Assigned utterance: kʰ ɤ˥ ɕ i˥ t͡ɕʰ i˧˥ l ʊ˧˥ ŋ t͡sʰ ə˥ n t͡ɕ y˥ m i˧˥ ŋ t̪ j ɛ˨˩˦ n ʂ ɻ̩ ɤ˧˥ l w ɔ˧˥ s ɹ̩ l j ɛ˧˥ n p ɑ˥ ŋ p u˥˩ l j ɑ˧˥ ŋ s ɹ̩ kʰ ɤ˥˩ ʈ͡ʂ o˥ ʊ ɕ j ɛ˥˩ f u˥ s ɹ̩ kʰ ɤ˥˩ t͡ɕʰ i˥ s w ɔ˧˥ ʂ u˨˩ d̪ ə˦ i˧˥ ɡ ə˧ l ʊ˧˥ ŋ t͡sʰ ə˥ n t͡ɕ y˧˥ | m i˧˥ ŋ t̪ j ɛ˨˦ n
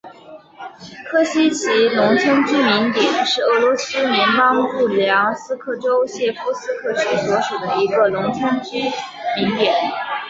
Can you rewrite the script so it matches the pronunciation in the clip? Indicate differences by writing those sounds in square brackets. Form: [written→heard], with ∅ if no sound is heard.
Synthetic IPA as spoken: kʰ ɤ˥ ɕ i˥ t͡ɕʰ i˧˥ l ʊ˧˥ ŋ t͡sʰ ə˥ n t͡ɕ y˥ m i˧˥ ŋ t̪ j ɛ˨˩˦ n ʂ ɻ̩ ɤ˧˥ l w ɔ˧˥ s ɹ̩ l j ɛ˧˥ n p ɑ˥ ŋ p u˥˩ l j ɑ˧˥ ŋ s ɹ̩ kʰ ɤ˥˩ ʈ͡ʂ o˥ ʊ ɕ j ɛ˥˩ f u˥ s ɹ̩ kʰ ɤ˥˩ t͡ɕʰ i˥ s w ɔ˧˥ ʂ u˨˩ d̪ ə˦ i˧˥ ɡ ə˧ l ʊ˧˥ ŋ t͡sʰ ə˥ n t͡ɕ [y˧˥→y˥] | m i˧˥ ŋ t̪ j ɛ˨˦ n